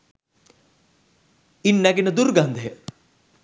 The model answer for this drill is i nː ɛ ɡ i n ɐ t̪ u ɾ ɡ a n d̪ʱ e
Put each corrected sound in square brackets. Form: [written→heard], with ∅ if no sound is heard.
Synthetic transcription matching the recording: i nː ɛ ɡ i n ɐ [t̪→d̪] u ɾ ɡ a n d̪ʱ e